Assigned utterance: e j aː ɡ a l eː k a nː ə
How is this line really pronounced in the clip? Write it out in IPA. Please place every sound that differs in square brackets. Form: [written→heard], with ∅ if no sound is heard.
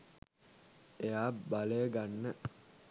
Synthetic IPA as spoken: e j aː [ɡ→b] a l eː [k→ɡ] a nː ə